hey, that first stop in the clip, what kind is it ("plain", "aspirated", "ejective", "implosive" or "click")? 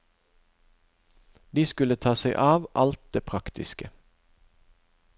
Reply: plain